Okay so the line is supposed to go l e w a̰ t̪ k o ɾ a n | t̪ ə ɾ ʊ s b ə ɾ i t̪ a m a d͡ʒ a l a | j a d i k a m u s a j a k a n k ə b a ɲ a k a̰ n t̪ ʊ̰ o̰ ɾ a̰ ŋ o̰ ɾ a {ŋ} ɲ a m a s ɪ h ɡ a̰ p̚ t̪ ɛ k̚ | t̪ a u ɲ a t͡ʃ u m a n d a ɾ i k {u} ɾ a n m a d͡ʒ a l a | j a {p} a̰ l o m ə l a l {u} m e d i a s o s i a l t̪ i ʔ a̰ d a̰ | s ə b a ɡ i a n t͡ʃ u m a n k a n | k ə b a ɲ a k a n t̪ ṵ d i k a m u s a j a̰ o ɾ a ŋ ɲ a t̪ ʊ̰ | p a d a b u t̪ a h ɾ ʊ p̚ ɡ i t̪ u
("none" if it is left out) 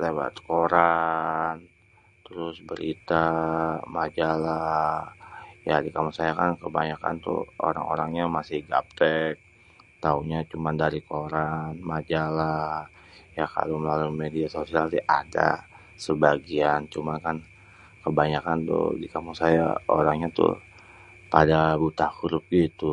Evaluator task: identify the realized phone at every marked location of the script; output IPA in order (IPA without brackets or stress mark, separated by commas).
ŋ, o, k, u